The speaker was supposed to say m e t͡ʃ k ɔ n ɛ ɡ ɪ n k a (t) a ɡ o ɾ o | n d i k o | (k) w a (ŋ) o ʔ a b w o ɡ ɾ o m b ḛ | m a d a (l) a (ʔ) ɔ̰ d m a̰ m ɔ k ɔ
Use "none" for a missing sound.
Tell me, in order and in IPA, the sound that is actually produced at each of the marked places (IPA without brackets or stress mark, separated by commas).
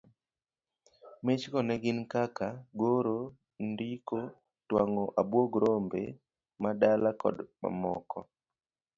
k, t, ŋ, l, k